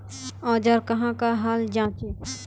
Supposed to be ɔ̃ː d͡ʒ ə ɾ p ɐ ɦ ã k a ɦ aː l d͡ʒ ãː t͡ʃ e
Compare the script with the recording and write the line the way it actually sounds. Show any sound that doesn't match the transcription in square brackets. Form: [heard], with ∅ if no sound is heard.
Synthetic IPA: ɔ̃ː d͡ʒ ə ɾ [k] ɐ ɦ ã k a ɦ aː l d͡ʒ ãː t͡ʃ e